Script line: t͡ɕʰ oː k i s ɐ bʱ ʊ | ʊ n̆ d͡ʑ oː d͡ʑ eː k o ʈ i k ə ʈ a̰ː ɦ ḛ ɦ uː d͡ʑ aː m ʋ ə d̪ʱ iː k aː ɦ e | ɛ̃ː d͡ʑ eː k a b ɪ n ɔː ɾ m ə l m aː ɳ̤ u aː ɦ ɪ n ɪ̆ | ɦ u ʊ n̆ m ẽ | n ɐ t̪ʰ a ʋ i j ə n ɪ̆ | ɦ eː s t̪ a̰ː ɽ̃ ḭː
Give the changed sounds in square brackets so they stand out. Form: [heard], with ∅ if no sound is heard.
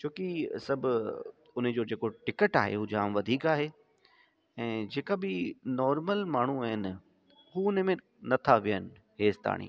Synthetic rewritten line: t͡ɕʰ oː k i s ɐ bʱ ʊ | ʊ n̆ d͡ʑ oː d͡ʑ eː k o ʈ [ɪ] k ə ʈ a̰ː ɦ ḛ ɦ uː d͡ʑ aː m ʋ [ɐ] d̪ʱ iː k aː ɦ e | ɛ̃ː d͡ʑ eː k a b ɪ n ɔː ɾ m ə l m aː ɳ̤ u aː ɦ ɪ n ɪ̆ | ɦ u ʊ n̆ m ẽ | n ɐ t̪ʰ a ʋ i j ə n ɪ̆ | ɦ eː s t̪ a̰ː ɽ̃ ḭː